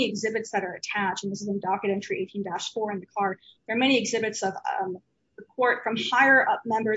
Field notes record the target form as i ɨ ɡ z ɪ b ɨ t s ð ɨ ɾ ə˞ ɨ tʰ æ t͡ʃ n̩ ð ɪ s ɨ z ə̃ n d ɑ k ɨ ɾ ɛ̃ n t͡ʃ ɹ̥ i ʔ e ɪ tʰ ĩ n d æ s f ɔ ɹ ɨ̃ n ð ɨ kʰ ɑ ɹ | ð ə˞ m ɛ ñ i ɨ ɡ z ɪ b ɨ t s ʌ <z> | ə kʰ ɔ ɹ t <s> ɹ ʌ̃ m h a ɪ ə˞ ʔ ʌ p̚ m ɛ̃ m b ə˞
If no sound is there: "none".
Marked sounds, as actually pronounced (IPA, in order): v, f

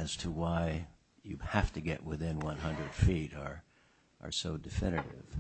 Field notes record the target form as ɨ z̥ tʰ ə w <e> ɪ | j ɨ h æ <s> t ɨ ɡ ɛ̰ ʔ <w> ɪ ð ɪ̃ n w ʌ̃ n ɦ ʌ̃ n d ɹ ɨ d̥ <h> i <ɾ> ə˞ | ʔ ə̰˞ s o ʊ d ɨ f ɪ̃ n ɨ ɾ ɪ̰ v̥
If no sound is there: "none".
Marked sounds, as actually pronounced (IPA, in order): a, f, w, f, ɾ

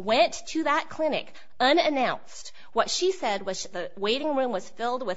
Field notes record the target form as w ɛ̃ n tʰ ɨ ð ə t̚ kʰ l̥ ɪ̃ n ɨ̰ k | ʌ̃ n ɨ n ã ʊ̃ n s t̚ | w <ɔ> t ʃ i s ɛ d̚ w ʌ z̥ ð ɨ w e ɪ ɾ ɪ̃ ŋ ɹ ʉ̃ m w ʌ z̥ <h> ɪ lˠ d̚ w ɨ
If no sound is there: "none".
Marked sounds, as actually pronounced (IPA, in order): ʌ, f

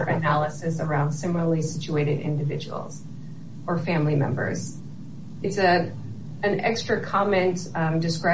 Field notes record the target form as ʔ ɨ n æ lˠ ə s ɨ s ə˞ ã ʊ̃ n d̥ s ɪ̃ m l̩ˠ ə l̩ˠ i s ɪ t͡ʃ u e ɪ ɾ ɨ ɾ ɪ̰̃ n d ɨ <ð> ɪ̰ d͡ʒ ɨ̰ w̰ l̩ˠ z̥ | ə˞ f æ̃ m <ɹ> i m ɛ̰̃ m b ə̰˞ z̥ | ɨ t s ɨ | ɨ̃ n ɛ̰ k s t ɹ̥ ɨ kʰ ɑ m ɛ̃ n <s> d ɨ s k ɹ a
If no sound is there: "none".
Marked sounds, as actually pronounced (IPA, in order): v, l, t

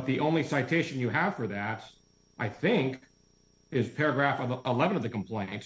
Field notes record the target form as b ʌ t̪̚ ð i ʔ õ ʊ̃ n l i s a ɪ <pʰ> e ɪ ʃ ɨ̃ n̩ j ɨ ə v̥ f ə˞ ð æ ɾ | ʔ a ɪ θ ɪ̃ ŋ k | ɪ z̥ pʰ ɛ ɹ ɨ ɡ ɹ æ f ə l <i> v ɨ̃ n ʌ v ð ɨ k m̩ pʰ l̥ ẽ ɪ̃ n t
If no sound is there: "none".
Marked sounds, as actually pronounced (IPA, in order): tʰ, ɛ

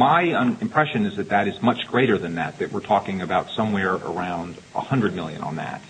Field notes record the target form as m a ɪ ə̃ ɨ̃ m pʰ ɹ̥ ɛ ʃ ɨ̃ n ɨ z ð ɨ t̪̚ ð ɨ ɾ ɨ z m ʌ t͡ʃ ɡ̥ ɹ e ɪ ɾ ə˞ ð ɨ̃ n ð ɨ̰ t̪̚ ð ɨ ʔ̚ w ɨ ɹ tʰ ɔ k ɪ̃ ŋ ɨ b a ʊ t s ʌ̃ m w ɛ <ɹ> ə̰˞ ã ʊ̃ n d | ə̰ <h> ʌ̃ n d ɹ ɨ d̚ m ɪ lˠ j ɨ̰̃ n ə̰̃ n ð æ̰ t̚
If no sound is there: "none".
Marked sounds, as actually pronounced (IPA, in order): ɹ, h

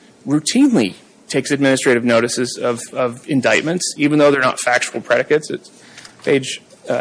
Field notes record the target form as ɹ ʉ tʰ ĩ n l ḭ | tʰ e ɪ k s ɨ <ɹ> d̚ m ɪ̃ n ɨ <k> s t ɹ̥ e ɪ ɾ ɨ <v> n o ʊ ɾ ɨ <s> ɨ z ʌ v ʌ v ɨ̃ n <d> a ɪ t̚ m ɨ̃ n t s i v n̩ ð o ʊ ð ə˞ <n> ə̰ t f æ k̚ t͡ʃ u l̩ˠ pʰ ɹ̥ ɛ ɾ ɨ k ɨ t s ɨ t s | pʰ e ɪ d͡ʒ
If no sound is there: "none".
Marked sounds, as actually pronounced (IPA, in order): none, none, v, s, d, n

